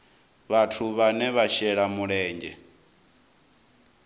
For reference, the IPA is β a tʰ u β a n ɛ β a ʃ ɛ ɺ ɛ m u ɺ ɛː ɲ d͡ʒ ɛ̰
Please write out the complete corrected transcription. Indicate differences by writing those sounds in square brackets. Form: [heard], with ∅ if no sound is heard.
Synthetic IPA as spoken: β a tʰ u β a n ɛ β a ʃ ɛ ɺ [a] m u ɺ ɛː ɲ d͡ʒ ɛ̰